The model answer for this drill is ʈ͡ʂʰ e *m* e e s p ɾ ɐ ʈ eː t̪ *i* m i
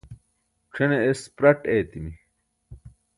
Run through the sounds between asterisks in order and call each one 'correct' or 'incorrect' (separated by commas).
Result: incorrect, correct